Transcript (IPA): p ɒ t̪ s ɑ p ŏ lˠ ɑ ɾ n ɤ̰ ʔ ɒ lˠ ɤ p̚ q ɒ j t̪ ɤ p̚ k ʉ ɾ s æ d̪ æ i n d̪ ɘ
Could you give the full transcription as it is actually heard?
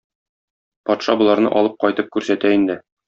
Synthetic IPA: p ɒ t̪ ʃ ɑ b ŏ lˠ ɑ ɾ n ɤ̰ ʔ ɒ lˠ ɤ p̚ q ɒ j t̪ ɤ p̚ k ʉ ɾ s æ t̪ æ i n d̪ ɘ